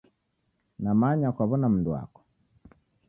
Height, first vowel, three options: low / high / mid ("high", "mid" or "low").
low